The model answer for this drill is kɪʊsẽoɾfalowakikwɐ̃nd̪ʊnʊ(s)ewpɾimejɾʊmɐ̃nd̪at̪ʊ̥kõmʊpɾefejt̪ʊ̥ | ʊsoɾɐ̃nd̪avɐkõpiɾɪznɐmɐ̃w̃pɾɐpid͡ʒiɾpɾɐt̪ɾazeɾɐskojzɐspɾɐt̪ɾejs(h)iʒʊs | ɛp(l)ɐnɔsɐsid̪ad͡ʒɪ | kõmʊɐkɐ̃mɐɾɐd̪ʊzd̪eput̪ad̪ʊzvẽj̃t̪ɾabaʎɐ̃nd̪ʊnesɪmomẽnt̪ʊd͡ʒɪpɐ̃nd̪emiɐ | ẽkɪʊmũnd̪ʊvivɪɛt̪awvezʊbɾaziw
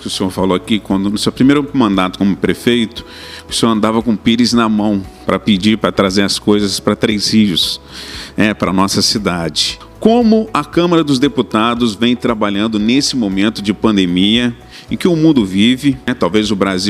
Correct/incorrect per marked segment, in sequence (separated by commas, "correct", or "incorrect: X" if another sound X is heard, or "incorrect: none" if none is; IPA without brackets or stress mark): correct, correct, incorrect: ɾ